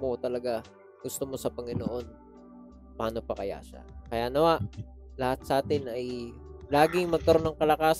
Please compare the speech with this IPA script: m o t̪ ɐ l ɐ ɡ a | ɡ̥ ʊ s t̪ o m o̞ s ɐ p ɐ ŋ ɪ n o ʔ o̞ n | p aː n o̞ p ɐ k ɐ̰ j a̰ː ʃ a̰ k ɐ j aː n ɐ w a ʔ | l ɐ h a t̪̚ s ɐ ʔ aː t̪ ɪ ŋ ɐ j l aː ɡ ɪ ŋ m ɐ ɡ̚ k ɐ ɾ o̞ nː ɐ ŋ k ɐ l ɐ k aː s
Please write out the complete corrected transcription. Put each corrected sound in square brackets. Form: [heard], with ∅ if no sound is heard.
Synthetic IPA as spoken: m o t̪ ɐ l ɐ ɡ a | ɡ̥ ʊ s t̪ o m o̞ s ɐ p ɐ ŋ ɪ n o ʔ o̞ n | p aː n o̞ p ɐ k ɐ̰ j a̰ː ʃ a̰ k ɐ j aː n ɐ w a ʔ | l ɐ h a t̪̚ s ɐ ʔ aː t̪ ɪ [n] ɐ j l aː ɡ ɪ ŋ m ɐ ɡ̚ k ɐ ɾ o̞ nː ɐ ŋ k ɐ l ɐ k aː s